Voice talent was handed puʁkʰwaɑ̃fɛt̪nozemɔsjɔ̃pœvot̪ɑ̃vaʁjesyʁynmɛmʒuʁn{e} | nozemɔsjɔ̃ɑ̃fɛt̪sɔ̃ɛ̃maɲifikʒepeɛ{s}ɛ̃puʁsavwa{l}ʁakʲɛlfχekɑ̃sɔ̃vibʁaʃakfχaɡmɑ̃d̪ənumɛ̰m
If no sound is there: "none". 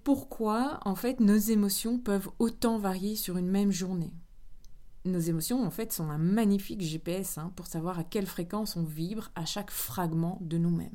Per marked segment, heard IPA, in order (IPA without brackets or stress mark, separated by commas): e, s, none